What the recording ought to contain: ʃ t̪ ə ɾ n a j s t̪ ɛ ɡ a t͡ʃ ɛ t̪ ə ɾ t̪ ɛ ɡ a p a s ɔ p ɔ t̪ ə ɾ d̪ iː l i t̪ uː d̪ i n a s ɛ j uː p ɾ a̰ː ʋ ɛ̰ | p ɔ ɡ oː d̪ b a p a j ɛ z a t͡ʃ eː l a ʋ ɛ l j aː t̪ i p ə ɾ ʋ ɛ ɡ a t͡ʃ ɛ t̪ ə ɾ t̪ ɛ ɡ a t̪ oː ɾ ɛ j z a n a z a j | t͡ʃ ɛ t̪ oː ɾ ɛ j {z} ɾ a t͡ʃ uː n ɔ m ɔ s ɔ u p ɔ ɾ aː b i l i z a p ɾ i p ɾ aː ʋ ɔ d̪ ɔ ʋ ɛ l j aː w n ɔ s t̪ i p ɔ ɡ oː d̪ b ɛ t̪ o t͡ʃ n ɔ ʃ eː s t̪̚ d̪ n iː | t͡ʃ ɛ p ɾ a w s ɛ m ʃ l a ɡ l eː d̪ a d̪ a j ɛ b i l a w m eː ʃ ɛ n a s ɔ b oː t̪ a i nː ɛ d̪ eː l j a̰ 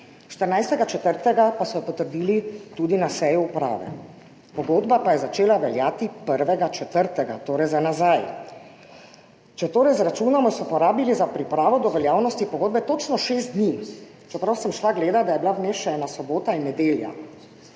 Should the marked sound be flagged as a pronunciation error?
no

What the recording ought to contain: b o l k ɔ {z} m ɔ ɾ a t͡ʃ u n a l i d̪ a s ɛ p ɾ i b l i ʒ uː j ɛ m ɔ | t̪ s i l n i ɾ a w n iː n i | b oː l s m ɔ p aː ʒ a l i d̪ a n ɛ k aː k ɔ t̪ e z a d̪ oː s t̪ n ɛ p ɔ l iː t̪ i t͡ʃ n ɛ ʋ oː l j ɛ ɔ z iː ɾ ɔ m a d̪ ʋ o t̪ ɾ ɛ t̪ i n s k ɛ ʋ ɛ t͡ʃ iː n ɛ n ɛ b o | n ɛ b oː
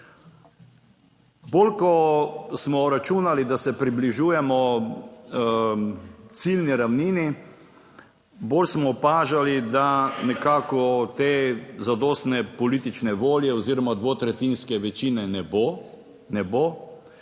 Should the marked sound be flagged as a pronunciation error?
yes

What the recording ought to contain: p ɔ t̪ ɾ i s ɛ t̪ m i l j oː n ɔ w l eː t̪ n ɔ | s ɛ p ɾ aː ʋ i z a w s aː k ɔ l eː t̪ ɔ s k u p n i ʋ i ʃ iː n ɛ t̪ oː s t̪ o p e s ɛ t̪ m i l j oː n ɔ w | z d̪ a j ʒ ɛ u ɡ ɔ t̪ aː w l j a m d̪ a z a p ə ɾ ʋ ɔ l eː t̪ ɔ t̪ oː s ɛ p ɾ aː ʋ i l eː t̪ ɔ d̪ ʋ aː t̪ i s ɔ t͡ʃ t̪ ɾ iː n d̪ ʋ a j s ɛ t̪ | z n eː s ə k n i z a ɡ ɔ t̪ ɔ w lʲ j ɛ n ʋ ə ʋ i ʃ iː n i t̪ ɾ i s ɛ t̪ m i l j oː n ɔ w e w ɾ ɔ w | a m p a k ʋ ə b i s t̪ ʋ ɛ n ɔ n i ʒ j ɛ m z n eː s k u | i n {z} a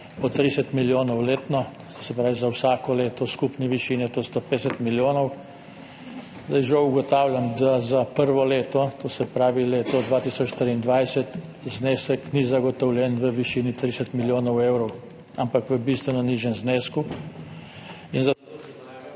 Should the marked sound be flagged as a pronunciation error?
no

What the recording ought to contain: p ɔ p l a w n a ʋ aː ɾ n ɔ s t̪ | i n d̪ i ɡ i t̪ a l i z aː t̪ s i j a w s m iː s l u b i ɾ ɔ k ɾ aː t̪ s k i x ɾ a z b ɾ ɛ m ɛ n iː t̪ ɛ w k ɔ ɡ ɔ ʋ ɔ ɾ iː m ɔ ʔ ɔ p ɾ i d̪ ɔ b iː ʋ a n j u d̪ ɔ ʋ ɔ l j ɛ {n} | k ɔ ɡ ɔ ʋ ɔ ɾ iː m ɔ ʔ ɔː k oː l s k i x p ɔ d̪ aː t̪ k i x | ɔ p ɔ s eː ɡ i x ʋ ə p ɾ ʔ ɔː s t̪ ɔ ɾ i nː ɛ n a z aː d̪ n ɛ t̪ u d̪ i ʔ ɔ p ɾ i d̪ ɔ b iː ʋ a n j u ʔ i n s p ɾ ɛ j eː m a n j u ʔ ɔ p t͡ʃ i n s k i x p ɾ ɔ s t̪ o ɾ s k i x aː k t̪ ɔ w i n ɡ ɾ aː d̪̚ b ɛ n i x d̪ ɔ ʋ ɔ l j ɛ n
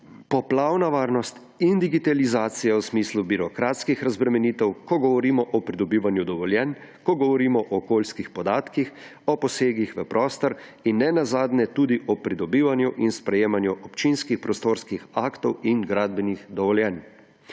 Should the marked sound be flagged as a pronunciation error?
no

